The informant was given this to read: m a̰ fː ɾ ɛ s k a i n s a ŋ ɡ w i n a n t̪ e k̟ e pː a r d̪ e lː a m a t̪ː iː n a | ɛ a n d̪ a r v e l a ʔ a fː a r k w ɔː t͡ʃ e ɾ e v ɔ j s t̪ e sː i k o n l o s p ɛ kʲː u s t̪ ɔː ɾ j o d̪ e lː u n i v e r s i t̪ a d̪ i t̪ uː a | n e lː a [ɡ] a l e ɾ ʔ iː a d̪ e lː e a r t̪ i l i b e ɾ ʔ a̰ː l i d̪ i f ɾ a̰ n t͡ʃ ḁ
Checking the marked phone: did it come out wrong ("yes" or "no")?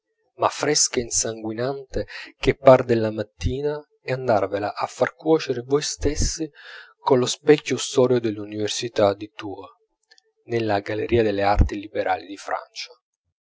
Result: no